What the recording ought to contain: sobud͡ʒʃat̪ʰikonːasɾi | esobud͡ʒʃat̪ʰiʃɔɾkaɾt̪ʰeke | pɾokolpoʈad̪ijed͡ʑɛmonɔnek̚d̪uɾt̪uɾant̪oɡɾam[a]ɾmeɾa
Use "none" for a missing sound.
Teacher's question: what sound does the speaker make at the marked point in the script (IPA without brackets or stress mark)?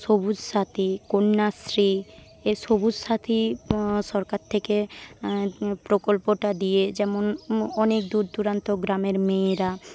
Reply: e